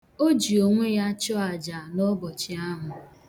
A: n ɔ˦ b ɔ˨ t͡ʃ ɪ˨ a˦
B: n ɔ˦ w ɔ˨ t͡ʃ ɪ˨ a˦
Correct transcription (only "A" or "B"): A